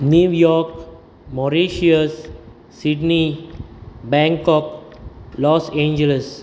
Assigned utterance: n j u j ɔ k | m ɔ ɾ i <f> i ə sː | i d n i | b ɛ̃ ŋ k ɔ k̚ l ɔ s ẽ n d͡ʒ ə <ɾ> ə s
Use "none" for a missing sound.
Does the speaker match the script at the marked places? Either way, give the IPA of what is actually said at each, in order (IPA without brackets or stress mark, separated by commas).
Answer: ʃ, l